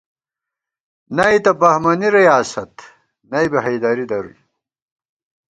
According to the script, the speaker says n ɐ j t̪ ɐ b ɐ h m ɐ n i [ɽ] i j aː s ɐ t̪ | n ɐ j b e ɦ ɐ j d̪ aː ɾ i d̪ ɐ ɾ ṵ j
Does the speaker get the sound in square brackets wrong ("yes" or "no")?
yes